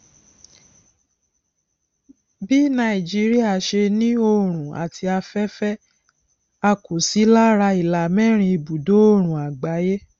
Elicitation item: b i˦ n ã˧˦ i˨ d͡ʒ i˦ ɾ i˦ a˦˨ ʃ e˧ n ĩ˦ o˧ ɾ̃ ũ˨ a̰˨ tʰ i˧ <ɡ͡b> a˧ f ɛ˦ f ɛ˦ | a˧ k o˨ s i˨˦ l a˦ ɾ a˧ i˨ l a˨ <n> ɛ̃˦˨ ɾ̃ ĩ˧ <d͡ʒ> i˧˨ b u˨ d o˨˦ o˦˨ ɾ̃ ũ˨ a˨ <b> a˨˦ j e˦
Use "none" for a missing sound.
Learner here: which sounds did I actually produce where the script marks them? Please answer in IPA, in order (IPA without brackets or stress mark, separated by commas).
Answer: none, m, none, ɡ͡b